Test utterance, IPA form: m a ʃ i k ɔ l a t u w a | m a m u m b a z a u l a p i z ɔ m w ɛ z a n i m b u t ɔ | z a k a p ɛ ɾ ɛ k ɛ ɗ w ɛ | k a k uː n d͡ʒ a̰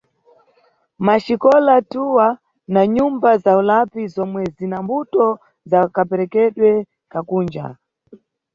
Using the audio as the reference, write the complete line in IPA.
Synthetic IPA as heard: m a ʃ i k ɔ l a t u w a | n a ɲ u m b a z a u l a p i z ɔ m w ɛ z i n a m b u t ɔ | z a k a p ɛ ɾ ɛ k ɛ ɗ w ɛ | k a k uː n d͡ʒ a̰